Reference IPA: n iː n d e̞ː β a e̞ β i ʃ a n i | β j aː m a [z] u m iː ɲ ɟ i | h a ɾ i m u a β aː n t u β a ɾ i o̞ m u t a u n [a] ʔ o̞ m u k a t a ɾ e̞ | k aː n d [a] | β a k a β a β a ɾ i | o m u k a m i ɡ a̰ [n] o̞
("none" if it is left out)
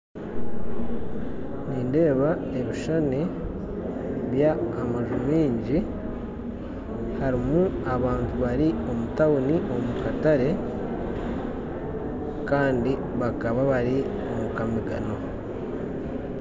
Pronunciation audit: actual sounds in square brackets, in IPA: ʒ, i, i, n

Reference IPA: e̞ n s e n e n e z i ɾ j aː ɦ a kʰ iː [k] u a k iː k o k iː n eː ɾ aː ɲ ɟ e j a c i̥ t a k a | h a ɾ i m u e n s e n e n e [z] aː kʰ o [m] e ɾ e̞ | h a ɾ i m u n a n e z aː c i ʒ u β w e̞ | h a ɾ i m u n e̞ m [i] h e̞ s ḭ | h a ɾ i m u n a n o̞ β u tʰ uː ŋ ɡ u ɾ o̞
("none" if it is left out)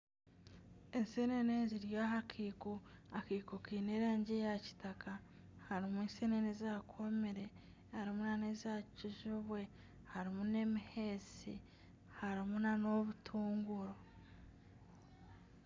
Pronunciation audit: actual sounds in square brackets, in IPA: k, z, m, i

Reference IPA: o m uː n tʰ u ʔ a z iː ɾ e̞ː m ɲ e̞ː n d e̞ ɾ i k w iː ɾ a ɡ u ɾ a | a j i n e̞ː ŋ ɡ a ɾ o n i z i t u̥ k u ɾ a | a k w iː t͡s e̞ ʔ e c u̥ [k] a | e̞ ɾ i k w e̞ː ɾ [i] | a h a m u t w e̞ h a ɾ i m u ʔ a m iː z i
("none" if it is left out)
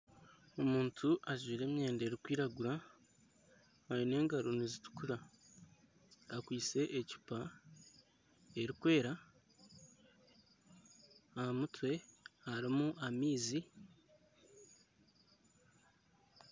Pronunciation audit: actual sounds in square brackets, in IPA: p, a

